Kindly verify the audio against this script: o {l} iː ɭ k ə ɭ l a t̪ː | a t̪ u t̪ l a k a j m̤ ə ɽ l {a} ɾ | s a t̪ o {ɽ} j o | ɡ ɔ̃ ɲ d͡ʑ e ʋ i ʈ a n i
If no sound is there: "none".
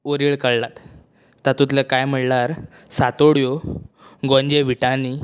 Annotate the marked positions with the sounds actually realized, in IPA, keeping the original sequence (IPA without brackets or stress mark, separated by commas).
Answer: ɾ, a, ɽ